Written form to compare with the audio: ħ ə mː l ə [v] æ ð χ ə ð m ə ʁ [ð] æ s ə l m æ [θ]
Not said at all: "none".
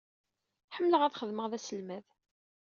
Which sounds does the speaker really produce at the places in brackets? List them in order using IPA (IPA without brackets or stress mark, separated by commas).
ʁ, ð, ð